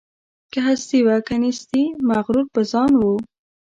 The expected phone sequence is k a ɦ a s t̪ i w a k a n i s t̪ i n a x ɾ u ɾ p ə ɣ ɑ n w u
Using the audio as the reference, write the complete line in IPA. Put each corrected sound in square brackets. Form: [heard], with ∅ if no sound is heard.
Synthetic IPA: k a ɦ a s t̪ i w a k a n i s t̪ i [m] a [ɣ] ɾ u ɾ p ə [z] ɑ n w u